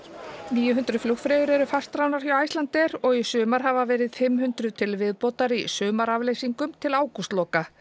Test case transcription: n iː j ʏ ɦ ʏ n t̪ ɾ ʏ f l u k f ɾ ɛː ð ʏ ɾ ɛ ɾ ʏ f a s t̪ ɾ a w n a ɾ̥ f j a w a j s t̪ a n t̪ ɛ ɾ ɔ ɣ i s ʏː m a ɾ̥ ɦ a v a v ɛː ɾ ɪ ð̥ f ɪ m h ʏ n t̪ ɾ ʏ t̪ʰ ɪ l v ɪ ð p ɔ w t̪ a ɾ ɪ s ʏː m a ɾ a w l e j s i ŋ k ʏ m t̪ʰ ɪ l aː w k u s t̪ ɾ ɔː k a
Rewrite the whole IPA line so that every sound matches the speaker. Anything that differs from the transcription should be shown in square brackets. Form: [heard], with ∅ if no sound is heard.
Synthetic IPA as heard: n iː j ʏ ɦ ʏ n t̪ ɾ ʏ f l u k f ɾ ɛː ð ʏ ɾ ɛ ɾ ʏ f a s t̪ ɾ a w n a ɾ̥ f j a w a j s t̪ a n t̪ ɛ ɾ ɔ ɣ i s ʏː m a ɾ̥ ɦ a v a v ɛː ɾ ɪ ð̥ f ɪ m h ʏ n t̪ ɾ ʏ t̪ʰ ɪ l v ɪ ð p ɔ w t̪ a ɾ [i] s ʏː m a ɾ a [v] l e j s i ŋ k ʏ m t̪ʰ ɪ l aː w k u s t̪ [l] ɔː k a